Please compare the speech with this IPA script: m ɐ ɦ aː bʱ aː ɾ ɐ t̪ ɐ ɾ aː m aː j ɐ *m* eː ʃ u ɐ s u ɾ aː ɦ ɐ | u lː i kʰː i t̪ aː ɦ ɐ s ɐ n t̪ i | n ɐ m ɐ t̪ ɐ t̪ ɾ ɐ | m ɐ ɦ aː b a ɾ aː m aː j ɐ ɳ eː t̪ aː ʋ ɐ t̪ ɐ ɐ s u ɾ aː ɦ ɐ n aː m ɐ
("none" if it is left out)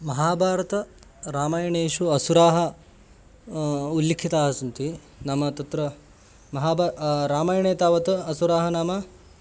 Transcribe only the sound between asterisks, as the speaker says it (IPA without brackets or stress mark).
ɳ